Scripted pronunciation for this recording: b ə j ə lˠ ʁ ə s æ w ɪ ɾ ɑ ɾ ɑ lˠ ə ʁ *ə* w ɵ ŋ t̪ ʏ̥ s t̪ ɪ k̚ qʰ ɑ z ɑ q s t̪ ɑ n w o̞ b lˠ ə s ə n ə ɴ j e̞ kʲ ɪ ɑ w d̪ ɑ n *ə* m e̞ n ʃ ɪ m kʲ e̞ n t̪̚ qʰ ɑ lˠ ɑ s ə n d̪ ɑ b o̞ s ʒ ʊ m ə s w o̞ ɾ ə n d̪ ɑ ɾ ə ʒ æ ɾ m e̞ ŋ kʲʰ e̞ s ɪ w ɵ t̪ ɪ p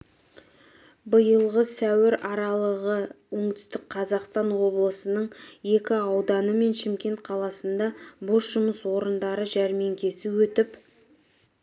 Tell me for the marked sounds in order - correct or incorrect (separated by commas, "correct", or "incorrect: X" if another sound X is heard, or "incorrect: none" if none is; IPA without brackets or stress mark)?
correct, correct